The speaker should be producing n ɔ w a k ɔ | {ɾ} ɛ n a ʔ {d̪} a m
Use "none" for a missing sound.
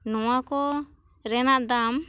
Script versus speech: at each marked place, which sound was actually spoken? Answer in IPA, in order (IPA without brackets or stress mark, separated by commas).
ɾ, d̪